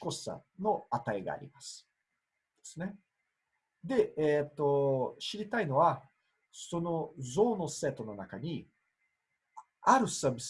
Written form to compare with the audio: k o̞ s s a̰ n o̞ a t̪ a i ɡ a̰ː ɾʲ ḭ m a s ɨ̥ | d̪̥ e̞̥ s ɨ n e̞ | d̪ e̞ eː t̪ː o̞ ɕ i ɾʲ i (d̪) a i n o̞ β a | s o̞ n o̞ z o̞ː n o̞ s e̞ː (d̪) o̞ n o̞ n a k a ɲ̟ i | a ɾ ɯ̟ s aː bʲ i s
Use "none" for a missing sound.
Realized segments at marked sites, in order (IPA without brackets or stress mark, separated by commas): t̪, t̪